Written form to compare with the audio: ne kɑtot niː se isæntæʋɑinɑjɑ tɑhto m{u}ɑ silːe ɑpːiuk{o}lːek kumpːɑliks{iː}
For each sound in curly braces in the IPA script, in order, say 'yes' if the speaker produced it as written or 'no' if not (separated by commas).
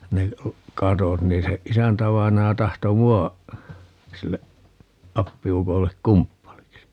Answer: yes, yes, no